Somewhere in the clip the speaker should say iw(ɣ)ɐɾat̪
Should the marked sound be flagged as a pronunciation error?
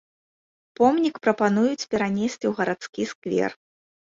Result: no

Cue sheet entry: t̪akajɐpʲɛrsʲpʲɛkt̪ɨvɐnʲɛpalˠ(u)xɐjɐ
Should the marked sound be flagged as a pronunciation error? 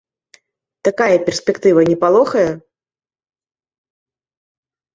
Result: yes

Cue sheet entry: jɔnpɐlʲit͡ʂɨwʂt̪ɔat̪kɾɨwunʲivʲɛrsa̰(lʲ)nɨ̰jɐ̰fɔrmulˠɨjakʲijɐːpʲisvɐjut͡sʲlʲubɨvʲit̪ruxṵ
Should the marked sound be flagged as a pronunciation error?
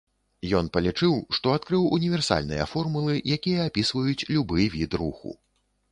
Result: no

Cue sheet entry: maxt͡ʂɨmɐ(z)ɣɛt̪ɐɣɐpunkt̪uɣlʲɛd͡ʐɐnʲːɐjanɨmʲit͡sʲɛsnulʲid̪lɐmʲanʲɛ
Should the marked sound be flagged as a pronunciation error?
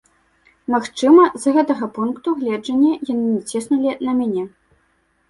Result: no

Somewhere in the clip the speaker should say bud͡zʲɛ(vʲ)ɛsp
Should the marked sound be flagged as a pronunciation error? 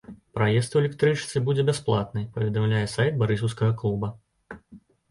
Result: yes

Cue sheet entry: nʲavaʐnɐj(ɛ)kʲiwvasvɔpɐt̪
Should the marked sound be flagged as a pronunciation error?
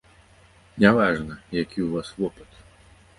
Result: yes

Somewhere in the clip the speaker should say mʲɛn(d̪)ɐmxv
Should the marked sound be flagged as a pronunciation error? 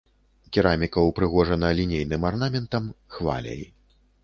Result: yes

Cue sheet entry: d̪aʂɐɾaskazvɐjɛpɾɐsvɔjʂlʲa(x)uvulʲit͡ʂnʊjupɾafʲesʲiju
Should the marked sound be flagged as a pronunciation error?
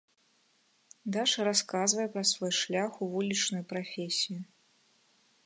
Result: no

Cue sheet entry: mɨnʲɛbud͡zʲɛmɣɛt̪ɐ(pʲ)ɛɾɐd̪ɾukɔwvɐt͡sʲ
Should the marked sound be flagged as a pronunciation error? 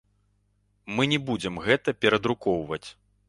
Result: no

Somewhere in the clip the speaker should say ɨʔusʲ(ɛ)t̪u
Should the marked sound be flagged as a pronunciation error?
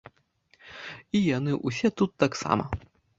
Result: no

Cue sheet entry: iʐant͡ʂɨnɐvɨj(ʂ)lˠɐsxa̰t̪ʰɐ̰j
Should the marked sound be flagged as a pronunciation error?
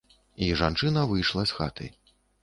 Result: no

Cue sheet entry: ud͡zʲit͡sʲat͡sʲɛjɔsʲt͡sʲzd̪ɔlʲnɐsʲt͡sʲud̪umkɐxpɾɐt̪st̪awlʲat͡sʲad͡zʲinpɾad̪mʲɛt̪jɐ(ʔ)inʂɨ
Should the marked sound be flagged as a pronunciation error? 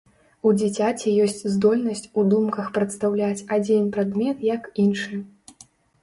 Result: yes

